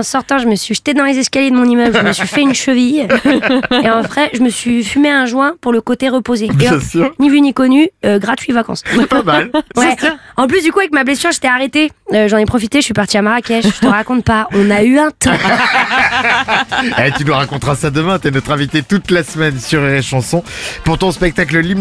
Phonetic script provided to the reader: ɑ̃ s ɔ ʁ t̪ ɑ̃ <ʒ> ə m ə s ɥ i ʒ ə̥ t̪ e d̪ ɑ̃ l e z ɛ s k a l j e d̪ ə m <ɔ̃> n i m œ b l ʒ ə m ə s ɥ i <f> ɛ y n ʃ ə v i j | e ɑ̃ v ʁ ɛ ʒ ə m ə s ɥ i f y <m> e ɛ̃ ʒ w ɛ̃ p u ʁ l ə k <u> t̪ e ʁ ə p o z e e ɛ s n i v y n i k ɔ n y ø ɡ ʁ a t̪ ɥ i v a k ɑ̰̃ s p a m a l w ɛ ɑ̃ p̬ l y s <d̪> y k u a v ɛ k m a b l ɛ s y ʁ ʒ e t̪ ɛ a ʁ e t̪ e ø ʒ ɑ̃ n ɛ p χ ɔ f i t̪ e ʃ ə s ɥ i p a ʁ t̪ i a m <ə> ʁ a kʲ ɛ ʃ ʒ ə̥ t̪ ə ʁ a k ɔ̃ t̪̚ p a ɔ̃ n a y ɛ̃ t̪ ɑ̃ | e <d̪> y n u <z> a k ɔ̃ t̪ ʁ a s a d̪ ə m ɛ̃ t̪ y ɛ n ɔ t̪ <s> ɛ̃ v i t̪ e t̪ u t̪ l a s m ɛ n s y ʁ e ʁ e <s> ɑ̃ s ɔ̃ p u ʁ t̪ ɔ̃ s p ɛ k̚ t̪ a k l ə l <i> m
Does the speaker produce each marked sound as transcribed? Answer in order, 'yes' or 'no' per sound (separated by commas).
yes, yes, yes, yes, no, yes, no, no, no, no, no, yes